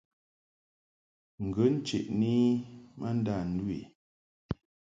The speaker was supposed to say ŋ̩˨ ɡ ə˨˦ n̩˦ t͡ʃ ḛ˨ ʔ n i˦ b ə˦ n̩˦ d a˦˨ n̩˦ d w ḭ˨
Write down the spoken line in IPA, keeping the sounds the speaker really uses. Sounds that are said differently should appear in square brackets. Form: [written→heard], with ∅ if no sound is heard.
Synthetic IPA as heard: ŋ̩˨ ɡ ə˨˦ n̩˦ t͡ʃ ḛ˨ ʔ n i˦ [b→m] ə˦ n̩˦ d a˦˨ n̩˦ d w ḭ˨